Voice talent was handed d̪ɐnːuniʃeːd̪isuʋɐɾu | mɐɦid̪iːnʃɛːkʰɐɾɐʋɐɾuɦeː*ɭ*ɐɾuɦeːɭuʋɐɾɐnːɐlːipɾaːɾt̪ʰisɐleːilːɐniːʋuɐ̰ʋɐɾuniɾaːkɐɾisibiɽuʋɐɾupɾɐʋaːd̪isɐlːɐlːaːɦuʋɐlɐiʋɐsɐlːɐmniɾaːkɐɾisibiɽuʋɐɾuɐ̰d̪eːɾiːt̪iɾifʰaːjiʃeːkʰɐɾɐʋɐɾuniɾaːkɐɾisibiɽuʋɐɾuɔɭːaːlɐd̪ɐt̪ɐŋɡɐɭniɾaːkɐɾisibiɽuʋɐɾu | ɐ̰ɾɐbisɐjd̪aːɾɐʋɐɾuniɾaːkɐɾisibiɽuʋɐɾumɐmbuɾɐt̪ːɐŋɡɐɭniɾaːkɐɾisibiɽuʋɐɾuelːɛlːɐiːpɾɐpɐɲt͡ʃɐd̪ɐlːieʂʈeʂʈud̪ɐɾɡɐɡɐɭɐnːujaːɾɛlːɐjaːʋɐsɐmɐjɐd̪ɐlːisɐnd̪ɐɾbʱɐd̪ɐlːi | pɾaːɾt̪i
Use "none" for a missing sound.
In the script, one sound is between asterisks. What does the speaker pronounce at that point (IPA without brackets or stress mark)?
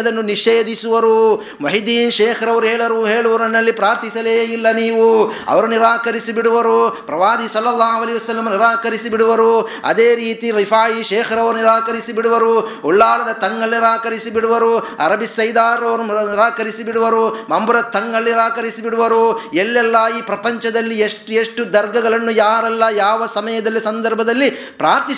ɭ